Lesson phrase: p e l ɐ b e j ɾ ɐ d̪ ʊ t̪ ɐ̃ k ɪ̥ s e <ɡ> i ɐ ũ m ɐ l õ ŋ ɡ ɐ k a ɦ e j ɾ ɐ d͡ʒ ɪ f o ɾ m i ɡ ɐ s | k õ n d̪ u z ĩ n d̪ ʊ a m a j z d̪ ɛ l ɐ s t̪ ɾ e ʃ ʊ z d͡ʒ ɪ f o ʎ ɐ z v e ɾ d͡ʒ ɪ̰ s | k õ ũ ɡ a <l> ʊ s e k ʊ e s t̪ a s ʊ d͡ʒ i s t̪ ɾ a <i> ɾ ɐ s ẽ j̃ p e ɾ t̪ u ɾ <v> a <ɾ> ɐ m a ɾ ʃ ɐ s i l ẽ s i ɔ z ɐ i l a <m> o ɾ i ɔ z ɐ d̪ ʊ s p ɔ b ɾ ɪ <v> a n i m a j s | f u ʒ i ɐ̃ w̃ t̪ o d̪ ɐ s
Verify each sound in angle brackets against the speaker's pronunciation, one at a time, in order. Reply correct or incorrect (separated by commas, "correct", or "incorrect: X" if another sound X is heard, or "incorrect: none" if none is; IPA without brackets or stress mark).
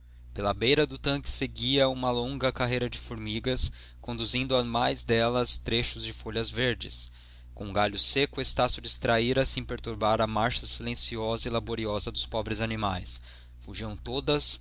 correct, incorrect: ʎ, correct, incorrect: b, correct, incorrect: b, incorrect: z